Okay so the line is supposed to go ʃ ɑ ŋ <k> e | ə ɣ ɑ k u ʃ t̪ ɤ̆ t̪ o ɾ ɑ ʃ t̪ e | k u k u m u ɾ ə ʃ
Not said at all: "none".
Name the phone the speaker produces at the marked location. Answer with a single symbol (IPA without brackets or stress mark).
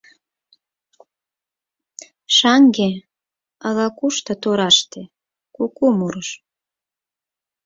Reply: ɡ